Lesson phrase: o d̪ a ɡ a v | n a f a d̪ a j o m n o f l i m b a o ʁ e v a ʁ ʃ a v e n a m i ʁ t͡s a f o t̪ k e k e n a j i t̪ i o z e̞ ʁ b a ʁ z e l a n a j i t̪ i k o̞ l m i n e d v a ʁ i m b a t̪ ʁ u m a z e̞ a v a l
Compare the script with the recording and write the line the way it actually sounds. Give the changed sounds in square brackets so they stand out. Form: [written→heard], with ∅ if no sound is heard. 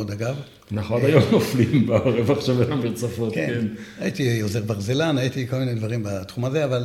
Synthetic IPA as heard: o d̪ a ɡ a v | n a [f→χ] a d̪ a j o m n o f l i m b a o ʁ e v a [ʁ→χ] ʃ a v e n a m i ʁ t͡s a f o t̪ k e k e n a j i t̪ i o z e̞ ʁ b a ʁ z e l a n a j i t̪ i k o̞ l m i n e d v a ʁ i m b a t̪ [ʁ→χ] u m a z e̞ a v a l